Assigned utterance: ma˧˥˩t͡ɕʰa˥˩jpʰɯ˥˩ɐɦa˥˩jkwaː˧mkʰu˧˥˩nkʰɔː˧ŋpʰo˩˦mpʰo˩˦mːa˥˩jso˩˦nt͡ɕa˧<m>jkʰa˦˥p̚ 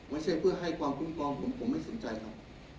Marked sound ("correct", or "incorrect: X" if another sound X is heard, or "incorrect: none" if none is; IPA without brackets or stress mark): incorrect: none